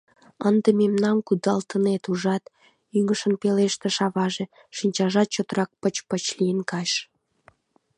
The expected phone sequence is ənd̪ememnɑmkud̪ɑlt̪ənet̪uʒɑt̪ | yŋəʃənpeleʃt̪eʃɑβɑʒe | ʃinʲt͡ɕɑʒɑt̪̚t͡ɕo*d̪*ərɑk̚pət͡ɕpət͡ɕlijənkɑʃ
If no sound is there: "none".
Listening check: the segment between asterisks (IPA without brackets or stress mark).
t̪